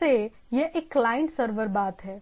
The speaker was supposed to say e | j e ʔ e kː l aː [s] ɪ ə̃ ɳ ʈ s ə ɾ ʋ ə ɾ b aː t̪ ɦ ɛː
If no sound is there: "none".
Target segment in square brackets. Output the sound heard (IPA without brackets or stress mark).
none